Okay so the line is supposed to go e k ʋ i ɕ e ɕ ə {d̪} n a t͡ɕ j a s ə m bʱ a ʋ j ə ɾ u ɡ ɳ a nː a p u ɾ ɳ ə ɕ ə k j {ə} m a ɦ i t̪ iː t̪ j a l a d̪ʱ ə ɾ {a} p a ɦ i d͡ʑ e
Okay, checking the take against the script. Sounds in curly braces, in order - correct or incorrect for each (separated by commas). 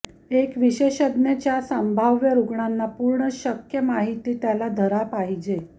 correct, correct, correct